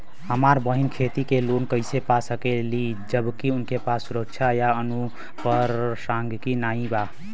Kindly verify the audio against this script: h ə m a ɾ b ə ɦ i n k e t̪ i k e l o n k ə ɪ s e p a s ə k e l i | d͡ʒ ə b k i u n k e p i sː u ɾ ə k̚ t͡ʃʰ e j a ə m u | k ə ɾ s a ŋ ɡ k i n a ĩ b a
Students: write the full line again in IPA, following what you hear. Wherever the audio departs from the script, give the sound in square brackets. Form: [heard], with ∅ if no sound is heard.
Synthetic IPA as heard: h ə m a ɾ b ə ɦ i n [kʰ] e t̪ i k e l o n k ə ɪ s e p a s ə k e l i | d͡ʒ ə b k i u n k e p [a] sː u ɾ ə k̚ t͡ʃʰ [a] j a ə [n] u | [p] ə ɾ s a ŋ ɡ k i n a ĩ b a